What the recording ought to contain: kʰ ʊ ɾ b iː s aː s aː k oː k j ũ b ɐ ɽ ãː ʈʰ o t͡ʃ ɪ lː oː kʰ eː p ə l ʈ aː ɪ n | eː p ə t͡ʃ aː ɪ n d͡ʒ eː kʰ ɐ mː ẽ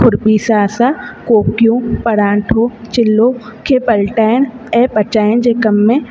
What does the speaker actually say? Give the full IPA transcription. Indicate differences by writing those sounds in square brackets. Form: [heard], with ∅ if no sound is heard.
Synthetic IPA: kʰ ʊ ɾ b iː s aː s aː k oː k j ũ [p] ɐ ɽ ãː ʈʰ o t͡ʃ ɪ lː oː kʰ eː p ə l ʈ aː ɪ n | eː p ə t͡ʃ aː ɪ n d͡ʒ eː [k] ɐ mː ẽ